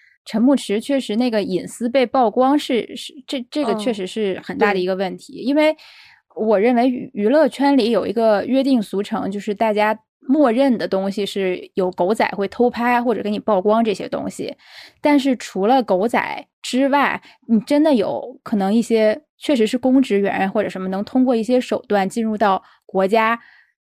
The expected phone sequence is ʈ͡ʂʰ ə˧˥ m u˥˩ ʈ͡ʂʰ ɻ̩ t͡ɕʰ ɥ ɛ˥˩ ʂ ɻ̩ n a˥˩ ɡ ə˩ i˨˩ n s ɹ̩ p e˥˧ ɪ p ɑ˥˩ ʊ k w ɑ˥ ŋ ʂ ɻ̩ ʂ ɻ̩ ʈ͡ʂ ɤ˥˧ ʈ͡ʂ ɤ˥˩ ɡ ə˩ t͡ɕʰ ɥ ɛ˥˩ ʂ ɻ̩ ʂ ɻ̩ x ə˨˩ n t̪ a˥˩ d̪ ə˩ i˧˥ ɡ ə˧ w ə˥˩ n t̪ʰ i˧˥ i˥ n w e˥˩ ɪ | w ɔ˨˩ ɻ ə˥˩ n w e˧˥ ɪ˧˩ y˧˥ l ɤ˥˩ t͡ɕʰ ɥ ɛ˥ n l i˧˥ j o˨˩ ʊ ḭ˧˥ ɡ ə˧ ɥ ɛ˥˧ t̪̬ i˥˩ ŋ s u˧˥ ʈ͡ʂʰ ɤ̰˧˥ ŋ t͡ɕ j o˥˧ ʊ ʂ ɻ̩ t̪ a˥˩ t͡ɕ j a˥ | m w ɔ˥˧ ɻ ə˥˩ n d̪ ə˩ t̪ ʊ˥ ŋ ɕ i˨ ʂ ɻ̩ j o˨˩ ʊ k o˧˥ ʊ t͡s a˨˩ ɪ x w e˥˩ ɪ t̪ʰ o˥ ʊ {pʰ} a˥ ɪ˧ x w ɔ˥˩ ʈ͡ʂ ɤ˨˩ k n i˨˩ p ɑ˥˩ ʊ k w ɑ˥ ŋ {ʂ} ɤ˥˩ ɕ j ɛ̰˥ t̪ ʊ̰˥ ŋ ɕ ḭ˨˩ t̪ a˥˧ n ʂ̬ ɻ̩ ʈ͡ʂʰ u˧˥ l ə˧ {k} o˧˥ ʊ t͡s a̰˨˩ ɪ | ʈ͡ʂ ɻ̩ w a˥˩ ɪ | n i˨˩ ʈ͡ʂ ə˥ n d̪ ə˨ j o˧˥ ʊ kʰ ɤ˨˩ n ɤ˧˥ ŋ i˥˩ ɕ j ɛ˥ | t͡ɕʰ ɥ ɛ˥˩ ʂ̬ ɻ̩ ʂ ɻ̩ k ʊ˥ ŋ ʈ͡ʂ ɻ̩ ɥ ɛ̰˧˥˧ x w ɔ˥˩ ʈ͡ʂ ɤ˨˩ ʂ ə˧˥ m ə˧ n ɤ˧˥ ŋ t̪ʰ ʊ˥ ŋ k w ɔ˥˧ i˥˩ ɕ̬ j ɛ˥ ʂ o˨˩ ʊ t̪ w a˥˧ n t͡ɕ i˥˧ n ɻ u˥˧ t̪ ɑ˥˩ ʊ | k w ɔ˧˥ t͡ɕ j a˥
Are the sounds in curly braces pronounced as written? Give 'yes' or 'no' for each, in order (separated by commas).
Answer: yes, no, yes